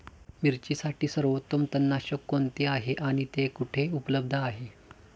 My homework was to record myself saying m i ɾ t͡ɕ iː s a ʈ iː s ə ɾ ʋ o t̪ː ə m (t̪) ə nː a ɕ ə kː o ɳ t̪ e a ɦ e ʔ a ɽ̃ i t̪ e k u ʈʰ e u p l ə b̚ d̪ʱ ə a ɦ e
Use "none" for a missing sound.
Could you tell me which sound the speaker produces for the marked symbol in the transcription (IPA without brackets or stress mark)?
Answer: t̪